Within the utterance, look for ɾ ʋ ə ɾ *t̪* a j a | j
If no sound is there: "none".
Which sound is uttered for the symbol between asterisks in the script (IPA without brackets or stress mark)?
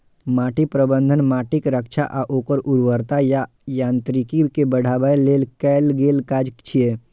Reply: t̪